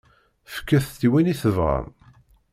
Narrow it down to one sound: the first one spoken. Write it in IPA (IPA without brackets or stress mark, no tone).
f